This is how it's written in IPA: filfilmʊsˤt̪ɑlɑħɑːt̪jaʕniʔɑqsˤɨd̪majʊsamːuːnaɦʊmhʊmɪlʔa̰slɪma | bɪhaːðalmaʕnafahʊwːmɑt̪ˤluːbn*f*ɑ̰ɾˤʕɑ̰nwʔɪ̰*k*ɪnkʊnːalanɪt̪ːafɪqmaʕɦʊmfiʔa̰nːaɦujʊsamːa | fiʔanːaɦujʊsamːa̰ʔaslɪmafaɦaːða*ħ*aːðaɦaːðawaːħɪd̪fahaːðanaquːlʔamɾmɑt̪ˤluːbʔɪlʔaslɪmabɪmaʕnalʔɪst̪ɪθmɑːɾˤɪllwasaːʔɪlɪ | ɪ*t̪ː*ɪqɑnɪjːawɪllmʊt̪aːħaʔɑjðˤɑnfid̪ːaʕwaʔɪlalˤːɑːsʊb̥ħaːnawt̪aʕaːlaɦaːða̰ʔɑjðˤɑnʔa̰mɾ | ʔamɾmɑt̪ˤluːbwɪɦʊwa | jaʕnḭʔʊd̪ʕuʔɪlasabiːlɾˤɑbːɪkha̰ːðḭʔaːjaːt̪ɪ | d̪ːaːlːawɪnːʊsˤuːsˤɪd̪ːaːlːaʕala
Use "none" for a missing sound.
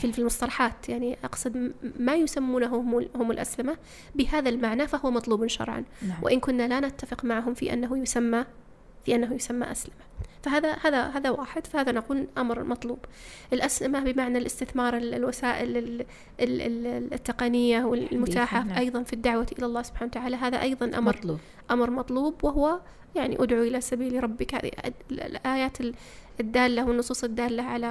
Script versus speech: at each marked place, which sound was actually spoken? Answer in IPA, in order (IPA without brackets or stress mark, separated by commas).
ʃ, ʔ, h, t̪ː